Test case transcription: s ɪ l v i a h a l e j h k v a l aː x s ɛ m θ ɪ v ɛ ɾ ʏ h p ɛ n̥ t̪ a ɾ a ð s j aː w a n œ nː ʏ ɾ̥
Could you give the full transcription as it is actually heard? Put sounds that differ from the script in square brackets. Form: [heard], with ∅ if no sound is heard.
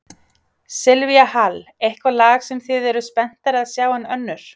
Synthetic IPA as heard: s ɪ l v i a h a l e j h k v a l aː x s ɛ m θ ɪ [ð] ɛ ɾ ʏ [s] p ɛ n̥ t̪ a ɾ a ð s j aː w a n œ nː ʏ ɾ̥